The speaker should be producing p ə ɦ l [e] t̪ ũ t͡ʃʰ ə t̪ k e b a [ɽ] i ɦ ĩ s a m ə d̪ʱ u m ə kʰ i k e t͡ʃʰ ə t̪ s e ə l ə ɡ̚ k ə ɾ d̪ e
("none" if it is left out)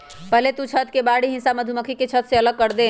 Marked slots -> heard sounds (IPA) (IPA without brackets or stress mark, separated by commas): e, ɽ